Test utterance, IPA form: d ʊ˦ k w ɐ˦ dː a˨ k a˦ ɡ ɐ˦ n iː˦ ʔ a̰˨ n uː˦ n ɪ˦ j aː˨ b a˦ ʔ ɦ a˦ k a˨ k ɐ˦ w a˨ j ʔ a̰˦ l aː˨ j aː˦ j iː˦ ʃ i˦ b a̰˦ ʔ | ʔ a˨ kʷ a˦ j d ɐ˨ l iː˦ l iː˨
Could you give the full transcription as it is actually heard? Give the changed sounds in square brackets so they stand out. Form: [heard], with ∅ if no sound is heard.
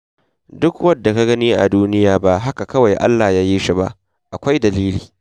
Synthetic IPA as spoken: d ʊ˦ k w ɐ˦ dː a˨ k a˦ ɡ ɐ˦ n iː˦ ʔ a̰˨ [d] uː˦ n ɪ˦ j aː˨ b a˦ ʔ ɦ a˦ k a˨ k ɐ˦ w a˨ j ʔ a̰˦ [lː] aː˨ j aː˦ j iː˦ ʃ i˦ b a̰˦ ʔ | ʔ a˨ kʷ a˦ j d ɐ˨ l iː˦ l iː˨